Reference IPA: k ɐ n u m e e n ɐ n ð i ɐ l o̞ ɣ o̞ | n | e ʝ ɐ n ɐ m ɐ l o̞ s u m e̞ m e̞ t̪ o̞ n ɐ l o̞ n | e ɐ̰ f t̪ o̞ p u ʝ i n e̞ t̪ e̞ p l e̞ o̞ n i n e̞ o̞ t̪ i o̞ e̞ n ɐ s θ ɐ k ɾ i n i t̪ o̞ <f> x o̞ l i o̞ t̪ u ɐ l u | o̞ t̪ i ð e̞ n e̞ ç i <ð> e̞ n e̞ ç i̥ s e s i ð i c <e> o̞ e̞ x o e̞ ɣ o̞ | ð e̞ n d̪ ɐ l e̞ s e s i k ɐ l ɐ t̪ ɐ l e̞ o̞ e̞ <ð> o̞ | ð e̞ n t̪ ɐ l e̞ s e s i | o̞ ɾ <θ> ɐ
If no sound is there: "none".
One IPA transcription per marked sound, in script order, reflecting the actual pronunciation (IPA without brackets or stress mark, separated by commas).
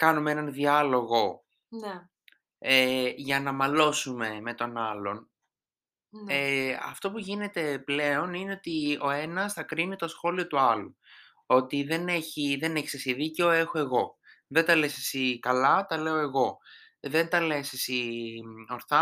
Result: s, ð, e, ɣ, θ